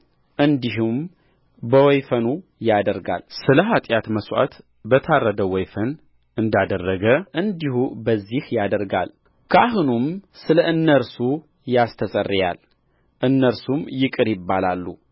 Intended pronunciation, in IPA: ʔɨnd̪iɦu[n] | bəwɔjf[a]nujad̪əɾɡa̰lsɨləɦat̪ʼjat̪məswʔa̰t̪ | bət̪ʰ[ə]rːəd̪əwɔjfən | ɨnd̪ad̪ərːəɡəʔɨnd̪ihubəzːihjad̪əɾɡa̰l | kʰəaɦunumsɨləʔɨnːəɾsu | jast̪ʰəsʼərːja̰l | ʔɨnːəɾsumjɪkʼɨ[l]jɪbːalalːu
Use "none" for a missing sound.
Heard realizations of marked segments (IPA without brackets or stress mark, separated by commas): m, ə, a, ɾ